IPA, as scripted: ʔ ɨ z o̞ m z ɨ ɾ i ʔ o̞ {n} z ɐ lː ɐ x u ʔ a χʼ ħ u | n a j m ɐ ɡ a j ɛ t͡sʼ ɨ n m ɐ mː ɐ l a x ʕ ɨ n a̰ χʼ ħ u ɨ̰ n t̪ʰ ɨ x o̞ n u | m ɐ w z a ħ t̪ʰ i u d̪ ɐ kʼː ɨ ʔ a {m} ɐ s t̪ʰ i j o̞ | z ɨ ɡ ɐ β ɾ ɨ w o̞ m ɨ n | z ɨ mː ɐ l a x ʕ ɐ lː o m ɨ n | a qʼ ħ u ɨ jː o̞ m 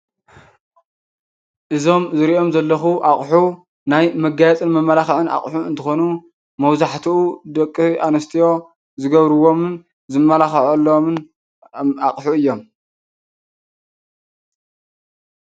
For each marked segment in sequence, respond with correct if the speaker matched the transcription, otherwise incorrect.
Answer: incorrect: m, incorrect: n

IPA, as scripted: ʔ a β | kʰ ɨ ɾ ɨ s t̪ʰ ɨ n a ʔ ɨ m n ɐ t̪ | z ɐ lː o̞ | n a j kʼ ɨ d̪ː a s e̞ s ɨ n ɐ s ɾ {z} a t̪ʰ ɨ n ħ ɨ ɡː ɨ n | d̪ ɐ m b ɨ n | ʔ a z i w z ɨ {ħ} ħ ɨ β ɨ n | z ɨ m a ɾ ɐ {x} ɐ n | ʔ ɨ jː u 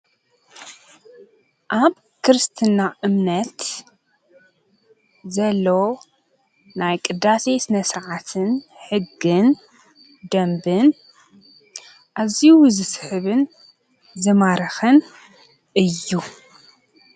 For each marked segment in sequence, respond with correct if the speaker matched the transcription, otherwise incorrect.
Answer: incorrect: ʕ, incorrect: s, correct

